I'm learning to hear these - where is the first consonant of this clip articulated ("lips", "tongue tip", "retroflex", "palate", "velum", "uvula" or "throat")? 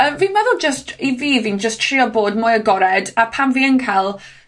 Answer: lips